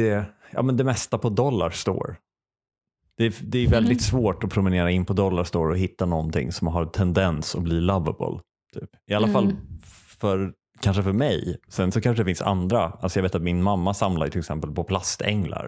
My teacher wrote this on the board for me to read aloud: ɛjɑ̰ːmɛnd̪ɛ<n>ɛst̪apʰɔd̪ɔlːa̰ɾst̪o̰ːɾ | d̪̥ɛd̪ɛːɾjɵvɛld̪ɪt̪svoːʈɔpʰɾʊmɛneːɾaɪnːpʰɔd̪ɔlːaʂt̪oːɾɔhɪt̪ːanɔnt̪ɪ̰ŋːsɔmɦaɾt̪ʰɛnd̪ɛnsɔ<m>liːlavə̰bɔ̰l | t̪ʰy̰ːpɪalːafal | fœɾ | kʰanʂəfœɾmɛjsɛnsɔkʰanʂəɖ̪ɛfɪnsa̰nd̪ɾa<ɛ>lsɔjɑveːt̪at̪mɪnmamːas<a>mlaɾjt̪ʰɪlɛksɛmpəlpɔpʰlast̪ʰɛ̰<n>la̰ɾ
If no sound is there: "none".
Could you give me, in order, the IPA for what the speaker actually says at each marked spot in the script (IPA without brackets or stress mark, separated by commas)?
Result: m, b, a, a, ŋ